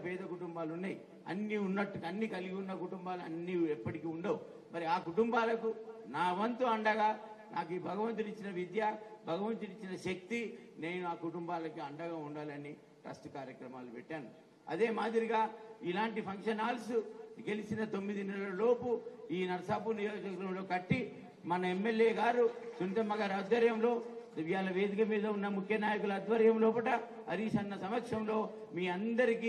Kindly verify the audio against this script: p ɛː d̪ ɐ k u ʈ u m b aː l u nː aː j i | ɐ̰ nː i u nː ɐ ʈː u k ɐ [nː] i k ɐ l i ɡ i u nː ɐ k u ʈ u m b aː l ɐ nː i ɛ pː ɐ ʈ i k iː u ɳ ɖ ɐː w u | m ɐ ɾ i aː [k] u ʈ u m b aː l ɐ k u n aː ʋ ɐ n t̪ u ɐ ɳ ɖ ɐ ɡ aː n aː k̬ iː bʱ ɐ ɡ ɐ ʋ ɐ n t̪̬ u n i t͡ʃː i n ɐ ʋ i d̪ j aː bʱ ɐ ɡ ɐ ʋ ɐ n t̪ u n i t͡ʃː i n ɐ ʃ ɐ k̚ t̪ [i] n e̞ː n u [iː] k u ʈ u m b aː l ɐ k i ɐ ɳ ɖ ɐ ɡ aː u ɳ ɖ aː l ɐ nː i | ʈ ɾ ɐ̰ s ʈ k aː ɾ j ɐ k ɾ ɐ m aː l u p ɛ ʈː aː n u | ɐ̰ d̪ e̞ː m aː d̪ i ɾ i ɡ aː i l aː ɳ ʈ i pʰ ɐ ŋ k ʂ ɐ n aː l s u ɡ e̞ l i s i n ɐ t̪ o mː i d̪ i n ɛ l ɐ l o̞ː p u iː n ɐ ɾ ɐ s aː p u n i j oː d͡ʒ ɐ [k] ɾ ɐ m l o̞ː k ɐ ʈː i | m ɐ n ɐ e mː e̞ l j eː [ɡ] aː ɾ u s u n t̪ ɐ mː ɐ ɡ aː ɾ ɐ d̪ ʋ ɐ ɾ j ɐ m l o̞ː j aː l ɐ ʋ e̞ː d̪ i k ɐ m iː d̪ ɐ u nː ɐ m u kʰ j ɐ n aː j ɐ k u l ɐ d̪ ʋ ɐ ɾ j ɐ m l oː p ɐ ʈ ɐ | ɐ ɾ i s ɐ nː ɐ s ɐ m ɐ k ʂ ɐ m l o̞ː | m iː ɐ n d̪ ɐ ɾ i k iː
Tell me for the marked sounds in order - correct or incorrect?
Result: correct, correct, correct, incorrect: aː, correct, correct

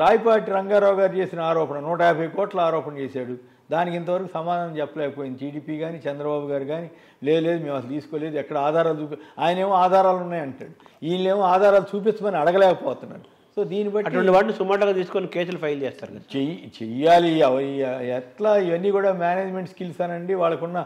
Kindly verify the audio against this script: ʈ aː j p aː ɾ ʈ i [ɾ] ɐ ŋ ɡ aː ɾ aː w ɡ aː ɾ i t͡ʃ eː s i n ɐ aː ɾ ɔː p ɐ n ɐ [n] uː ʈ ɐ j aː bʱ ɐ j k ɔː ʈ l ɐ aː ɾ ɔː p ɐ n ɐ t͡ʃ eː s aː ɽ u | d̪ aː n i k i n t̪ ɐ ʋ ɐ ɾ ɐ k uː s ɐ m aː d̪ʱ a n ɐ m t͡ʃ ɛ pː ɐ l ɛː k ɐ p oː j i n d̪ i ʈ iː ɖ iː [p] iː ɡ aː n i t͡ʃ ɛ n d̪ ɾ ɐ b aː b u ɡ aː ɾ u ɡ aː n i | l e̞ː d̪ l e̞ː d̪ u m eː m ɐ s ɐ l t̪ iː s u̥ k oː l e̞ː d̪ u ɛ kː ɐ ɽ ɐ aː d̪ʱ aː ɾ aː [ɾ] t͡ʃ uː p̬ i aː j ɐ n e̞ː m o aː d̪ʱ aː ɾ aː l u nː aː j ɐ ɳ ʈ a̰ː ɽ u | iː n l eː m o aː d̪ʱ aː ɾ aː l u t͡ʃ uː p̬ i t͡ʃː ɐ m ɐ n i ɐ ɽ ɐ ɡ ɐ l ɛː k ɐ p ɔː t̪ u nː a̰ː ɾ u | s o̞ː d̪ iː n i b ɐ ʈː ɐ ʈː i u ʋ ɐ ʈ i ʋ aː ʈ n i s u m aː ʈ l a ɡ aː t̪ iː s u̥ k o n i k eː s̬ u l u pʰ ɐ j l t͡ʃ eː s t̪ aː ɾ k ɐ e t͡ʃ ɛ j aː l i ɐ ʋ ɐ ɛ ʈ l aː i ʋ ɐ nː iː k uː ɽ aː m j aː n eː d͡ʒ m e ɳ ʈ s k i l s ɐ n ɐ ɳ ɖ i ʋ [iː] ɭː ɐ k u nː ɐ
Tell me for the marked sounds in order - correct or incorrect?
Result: correct, correct, correct, incorrect: l, incorrect: aː

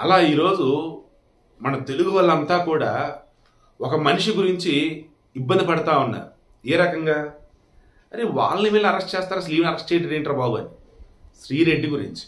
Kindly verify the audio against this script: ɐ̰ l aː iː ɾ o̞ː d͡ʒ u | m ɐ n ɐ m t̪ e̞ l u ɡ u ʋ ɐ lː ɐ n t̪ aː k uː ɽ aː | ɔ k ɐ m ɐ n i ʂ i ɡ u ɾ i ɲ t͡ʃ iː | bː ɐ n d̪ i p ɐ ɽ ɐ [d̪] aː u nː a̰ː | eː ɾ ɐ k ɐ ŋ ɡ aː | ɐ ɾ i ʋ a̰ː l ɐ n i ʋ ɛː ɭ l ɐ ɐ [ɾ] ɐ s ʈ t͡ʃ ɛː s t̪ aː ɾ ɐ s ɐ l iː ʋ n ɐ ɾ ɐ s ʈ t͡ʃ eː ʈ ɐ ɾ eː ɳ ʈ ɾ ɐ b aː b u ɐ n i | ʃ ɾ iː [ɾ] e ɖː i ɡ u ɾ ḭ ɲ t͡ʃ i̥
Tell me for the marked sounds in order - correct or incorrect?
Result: incorrect: t̪, correct, correct

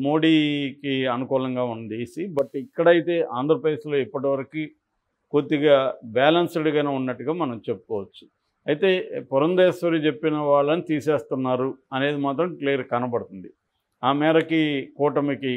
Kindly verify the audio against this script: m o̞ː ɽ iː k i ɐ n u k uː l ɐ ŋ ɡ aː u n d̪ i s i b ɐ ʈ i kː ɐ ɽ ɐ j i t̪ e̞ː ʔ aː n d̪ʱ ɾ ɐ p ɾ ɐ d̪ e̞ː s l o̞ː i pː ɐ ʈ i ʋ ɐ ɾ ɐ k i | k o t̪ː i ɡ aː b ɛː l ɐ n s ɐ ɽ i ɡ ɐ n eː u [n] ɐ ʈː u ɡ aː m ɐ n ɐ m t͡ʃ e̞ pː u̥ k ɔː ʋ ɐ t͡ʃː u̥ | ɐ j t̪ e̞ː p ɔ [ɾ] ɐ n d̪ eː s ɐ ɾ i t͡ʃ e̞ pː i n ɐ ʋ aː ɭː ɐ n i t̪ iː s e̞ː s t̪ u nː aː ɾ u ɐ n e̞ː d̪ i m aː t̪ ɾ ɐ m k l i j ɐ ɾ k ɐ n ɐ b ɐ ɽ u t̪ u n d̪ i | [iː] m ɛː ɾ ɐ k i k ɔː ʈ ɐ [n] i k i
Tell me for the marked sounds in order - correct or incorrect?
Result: incorrect: nː, correct, incorrect: aː, incorrect: m

